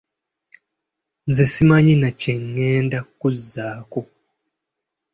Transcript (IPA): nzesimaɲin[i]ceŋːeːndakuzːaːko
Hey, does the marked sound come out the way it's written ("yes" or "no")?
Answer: no